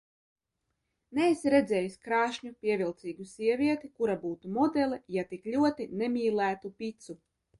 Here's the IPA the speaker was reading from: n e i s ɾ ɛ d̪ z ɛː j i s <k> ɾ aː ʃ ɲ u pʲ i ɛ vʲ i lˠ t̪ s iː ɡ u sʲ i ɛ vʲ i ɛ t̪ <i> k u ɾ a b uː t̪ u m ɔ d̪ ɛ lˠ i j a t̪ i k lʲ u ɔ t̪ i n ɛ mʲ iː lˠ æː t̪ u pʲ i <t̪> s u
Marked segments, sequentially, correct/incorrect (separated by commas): correct, correct, correct